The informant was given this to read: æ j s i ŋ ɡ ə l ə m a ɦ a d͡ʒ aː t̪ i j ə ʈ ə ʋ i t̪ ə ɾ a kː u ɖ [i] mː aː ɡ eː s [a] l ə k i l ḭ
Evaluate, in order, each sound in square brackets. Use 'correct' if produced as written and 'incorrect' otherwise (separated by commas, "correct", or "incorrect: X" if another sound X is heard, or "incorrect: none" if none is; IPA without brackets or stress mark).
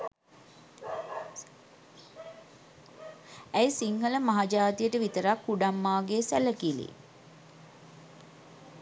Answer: incorrect: a, incorrect: æ